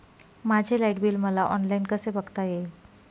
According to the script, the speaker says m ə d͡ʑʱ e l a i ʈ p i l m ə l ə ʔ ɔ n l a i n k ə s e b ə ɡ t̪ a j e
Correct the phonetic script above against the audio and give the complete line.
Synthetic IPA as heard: m a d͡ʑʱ e l a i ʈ b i l m ə l a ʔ ɔ n l a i n k ə s e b ə ɡ t̪ a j e